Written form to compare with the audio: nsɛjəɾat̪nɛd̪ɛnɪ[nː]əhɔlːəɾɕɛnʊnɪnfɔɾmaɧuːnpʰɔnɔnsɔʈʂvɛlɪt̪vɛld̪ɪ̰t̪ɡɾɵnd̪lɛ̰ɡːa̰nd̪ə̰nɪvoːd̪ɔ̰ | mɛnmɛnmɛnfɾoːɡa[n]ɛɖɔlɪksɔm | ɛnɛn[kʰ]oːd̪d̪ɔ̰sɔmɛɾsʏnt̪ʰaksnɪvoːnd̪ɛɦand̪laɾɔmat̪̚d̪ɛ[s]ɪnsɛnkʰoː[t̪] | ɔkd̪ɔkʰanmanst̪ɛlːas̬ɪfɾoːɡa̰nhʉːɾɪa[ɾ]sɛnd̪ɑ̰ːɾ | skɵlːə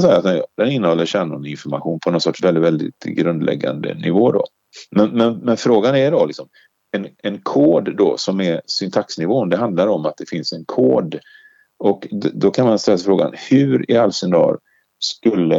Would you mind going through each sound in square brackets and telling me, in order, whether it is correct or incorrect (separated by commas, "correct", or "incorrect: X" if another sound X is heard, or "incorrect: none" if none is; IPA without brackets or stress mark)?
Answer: correct, correct, correct, incorrect: f, incorrect: d̪, incorrect: l